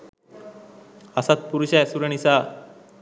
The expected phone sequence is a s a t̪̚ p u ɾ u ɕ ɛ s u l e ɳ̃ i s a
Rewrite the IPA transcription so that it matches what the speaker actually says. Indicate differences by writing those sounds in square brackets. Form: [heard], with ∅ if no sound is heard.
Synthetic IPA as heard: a s a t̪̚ p u ɾ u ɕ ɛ s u [ɾ] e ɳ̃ i s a